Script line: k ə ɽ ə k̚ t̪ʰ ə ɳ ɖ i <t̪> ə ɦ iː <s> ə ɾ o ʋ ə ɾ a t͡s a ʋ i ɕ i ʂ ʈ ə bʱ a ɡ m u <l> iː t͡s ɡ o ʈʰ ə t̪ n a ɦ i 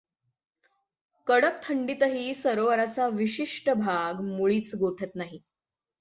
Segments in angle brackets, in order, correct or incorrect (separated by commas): correct, correct, incorrect